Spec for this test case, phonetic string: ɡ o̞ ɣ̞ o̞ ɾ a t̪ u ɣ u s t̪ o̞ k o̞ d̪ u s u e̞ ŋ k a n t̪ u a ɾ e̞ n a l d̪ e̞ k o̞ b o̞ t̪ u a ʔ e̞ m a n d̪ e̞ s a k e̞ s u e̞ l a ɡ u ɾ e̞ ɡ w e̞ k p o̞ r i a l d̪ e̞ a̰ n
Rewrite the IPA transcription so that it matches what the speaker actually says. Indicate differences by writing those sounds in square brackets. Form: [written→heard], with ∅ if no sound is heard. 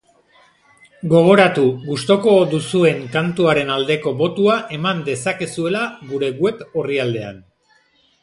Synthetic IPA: ɡ o̞ ɣ̞ o̞ ɾ a t̪ u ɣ u s t̪ o̞ k o̞ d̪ u s u e̞ ŋ k a n t̪ u a ɾ e̞ n a l d̪ e̞ k o̞ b o̞ t̪ u a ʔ e̞ m a n d̪ e̞ s a k e̞ s u e̞ l a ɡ u ɾ e̞ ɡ w e̞ [k→∅] p o̞ r i a l d̪ e̞ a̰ n